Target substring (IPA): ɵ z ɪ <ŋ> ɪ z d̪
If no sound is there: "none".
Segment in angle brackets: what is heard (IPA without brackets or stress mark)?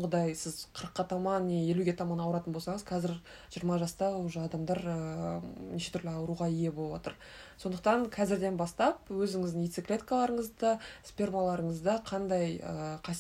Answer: ŋ